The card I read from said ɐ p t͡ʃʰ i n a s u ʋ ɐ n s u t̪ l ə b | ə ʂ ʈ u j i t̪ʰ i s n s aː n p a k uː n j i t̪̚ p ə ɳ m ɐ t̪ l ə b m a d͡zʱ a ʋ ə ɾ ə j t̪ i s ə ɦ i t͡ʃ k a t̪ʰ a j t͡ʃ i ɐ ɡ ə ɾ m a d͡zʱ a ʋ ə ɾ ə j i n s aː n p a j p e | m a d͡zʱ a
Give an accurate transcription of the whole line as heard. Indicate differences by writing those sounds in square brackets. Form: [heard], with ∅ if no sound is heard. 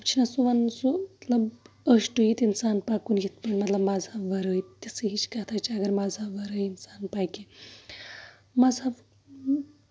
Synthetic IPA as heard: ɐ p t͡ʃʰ i n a s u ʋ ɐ n s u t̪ l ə b | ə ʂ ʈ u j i [t̪] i [∅] n s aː n p a k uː n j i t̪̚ p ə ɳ m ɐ t̪ l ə b m a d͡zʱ a ʋ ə ɾ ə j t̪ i s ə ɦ i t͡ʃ k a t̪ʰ a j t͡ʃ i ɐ ɡ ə ɾ m a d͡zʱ a ʋ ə ɾ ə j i n s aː n p a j [k] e | m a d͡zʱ a